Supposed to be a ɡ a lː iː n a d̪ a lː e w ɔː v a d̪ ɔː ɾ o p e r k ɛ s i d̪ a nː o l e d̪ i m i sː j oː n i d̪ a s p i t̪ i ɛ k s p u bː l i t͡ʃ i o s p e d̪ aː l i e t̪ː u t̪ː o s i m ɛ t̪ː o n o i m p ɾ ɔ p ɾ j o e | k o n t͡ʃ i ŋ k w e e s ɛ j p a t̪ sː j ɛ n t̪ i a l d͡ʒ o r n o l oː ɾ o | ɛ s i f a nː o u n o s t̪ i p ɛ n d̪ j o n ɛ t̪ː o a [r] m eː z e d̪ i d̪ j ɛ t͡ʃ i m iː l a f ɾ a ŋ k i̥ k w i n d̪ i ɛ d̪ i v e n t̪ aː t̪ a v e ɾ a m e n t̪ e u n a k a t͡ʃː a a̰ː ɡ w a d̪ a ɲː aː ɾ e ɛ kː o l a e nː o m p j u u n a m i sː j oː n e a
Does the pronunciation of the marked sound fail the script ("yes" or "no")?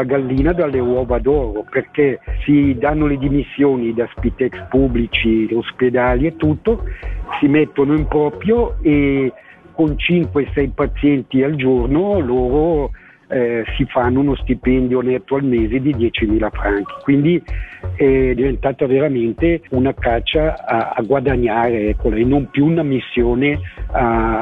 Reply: yes